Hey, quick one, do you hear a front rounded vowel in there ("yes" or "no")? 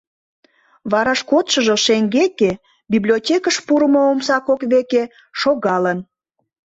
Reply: no